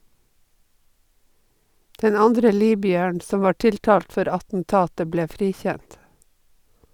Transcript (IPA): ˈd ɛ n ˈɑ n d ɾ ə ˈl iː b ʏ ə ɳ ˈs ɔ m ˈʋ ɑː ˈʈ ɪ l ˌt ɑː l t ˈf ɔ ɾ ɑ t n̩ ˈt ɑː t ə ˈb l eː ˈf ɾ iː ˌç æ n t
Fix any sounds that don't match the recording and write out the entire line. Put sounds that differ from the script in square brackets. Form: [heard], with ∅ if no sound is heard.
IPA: ˈd ɛ n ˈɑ n d ɾ ə ˈl iː b ʏ ə ɳ ˈs ɔ m ˈʋ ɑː ˈʈ ɪ l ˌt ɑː l t ˈf ɔ ɾ ɑ t n̩ ˈt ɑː t ə ˈb l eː ˈf ɾ iː ˌç æ n t

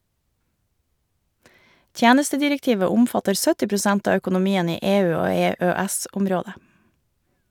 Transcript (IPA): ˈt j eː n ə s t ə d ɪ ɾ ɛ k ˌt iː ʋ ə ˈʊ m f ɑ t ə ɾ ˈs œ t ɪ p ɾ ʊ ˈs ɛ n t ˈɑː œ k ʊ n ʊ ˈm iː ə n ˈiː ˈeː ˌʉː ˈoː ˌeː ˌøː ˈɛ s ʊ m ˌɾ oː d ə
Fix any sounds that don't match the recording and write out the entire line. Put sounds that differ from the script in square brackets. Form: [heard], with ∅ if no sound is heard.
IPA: ˈt j [æː] n ə s t ə d ɪ ɾ ɛ k ˌt iː ʋ ə ˈʊ m f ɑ t ə ɾ ˈs œ t ɪ p ɾ ʊ ˈs ɛ n t ˈɑː œ k ʊ n ʊ ˈm iː ə n ˈiː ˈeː ˌʉː ˈoː ˌeː ˌøː ˈɛ s ʊ m ˌɾ oː d ə

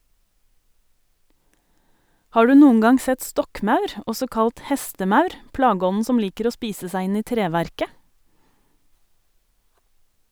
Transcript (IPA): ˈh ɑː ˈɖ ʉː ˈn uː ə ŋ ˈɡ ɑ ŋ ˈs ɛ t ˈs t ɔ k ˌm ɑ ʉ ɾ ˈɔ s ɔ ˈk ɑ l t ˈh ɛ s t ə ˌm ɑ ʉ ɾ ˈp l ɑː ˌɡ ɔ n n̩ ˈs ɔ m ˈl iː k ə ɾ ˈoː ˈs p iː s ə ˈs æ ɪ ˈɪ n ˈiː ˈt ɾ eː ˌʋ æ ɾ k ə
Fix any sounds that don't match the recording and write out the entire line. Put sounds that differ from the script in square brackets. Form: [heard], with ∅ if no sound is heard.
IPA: ˈh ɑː ˈɖ ʉː ˈn uː ə ŋ ˈɡ ɑ ŋ ˈs ɛ t ˈs t ɔ k ˌm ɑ ʉ ɾ ˈɔ s ɔ ˈk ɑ l t ˈh ɛ s t ə ˌm ɑ ʉ ɾ ˈp l ɑː ˌɡ ɔ n n̩ ˈs ɔ m ˈl iː k ə ɾ ˈoː ˈs p iː s ə ˈs æ ɪ ˈɪ n ˈiː ˈt ɾ eː ˌʋ æ ɾ k ə

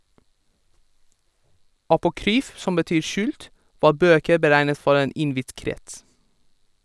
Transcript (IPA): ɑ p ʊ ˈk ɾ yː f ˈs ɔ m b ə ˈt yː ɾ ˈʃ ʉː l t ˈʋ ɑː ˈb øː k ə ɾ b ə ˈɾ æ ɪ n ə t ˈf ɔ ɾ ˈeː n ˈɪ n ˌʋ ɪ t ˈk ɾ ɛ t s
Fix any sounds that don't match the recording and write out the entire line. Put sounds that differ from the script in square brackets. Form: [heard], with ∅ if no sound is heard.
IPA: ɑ p ʊ ˈk ɾ yː f ˈs ɔ m b ə ˈt yː ɾ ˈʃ ʉː l t ˈʋ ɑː ˈb øː k ə ɾ b ə ˈɾ æ ɪ n ə t ˈf ɔ ɾ ˈeː n ˈɪ n ˌʋ ɪ t ˈk ɾ ɛ t s

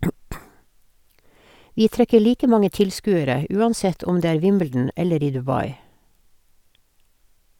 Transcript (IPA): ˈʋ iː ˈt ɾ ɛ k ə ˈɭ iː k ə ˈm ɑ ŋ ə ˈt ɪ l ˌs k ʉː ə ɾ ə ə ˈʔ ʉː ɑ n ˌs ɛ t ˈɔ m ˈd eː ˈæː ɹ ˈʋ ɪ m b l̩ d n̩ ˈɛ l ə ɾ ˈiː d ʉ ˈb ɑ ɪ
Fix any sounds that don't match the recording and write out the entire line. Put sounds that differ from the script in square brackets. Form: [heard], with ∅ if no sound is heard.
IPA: ˈʋ iː ˈt ɾ ɛ k ə ˈɭ iː k ə ˈm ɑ ŋ ə ˈt ɪ l ˌs k ʉː ə ɾ ə ə ˈʔ ʉː ɑ n ˌs ɛ t ˈɔ m ˈd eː ˈæː ɹ ˈʋ ɪ m b l̩ d n̩ ˈɛ l ə ɾ ˈiː d ʉ ˈb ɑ ɪ

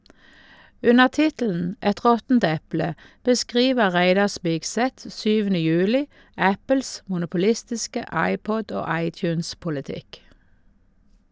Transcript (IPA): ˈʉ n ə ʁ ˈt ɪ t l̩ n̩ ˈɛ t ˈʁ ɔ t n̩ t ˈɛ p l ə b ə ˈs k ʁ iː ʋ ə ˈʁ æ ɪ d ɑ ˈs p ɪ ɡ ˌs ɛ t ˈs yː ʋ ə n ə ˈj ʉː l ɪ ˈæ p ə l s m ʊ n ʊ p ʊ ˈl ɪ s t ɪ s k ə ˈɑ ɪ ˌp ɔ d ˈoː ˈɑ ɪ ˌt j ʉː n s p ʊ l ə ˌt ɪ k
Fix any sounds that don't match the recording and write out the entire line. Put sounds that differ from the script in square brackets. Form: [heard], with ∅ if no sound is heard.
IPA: ˈʉ n ə ʁ ˈt ɪ t l̩ n̩ ˈɛ t ˈʁ ɔ t n̩ t ˈɛ p l ə b ə ˈs k ʁ iː ʋ ə ˈʁ æ ɪ d ɑ ˈs p ɪ ɡ ˌs ɛ t ˈs yː ʋ ə n ə ˈj ʉː l ɪ ˈæ p ə l s m ʊ n ʊ p ʊ ˈl ɪ s t ɪ s k ə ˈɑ ɪ ˌp ɔ d ˈoː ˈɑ ɪ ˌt j ʉː n s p ʊ l ə ˌt ɪ k

